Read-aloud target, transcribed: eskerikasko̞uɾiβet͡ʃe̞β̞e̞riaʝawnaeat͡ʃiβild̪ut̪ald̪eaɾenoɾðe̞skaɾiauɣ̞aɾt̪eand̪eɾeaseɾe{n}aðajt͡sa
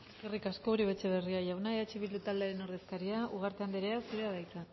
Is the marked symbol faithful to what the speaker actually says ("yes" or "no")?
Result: no